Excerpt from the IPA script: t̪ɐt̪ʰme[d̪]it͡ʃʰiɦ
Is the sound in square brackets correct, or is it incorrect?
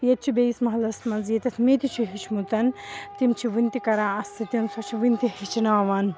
incorrect